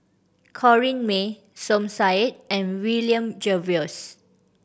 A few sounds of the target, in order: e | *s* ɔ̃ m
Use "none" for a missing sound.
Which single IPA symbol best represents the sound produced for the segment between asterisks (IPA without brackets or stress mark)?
s